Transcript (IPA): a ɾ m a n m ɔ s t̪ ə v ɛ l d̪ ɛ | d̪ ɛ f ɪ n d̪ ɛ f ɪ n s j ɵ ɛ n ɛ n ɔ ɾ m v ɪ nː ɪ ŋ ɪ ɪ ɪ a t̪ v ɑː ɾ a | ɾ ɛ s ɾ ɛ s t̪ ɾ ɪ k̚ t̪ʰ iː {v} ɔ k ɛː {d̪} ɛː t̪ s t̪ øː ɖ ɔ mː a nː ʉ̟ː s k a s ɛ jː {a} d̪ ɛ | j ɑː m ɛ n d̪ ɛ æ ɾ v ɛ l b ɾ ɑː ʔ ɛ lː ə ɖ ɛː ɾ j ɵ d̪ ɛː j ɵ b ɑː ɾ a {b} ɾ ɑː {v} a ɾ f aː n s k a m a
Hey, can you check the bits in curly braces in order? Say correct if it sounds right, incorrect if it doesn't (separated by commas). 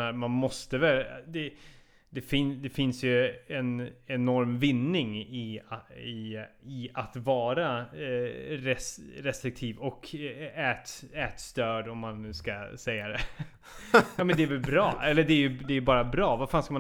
correct, incorrect, correct, correct, correct